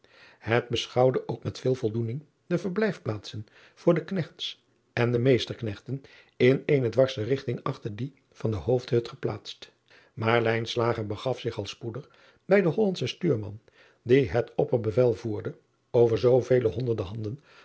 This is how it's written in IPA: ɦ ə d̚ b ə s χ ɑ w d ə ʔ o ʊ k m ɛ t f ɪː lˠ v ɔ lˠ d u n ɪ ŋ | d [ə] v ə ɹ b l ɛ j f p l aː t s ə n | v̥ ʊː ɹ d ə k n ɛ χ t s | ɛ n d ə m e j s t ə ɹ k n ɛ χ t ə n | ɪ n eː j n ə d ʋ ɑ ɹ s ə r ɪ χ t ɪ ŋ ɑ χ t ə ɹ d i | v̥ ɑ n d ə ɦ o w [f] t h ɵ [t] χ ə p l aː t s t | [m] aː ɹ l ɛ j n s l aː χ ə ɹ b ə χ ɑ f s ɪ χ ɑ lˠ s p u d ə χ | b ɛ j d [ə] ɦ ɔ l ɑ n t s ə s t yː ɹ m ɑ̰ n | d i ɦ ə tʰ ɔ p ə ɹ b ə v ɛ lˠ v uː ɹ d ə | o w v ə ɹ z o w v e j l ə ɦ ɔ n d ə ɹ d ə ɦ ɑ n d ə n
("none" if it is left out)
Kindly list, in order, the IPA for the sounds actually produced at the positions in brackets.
ə, f, t, m, ə

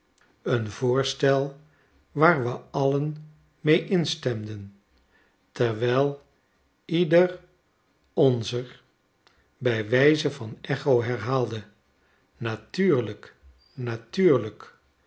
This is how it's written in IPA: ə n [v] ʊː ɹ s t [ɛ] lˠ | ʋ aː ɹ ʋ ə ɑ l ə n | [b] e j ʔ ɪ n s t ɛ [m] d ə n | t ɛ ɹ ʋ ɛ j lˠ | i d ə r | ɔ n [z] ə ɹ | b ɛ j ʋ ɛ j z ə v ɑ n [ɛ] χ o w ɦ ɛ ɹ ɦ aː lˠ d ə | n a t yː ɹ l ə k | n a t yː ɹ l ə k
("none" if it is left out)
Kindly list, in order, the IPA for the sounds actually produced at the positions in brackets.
v, ɛ, m, m, z, ɛ

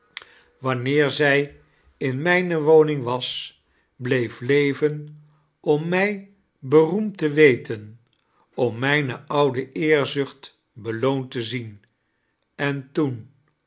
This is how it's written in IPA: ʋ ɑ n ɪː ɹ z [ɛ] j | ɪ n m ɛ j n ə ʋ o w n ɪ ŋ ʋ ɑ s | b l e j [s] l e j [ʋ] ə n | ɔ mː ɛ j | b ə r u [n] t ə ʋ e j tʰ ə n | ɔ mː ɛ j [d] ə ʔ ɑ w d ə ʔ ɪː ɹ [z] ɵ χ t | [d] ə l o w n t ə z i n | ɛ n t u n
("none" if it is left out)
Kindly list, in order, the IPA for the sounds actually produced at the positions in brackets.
ɛ, f, v, m, n, z, b

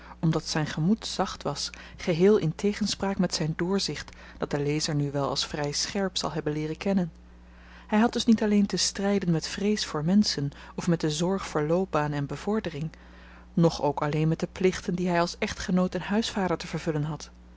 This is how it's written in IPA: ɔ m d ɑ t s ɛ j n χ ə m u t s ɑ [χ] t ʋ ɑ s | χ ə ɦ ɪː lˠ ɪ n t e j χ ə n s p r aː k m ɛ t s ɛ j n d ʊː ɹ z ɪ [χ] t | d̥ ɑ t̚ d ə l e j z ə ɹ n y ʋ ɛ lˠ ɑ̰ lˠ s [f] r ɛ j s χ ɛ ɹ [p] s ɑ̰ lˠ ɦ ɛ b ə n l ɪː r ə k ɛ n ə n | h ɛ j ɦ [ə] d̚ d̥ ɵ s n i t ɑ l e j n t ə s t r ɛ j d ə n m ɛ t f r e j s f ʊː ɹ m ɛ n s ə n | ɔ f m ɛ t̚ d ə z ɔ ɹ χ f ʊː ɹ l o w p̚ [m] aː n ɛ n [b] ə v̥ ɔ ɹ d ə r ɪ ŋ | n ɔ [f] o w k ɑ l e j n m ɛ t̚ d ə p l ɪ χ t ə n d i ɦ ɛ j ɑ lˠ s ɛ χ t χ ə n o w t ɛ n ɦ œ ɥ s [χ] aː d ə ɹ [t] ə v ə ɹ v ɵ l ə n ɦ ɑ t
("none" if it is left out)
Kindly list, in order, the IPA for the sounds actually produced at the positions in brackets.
χ, χ, f, p, ɑ, b, b, χ, f, t

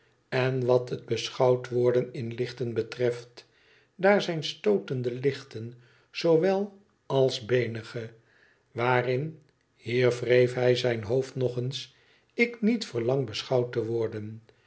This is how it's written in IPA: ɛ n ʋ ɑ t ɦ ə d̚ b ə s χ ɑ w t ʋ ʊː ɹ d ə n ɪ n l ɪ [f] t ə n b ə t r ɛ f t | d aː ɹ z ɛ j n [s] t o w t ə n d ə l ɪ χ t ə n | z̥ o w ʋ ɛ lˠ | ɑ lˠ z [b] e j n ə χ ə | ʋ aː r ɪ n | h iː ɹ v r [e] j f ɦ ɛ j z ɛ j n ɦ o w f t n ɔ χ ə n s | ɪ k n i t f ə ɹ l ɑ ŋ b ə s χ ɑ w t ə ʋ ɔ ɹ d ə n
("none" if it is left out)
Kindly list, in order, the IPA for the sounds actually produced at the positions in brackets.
χ, s, b, e

